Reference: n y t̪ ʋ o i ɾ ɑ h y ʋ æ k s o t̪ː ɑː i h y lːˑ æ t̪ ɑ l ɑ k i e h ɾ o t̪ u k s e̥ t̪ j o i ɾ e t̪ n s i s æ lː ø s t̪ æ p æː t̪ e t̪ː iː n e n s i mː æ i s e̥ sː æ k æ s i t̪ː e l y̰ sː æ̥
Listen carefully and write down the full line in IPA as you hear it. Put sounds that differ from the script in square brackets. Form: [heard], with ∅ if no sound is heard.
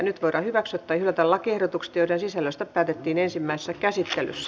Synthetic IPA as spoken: n y t̪ ʋ o i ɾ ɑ h y ʋ æ k s o t̪ː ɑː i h y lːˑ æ t̪ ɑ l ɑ k i e h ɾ o t̪ u k s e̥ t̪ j o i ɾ e [∅] n s i s æ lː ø s t̪ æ p æː t̪ e t̪ː iː n e n s i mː æ i s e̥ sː æ k æ s i t̪ː e l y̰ sː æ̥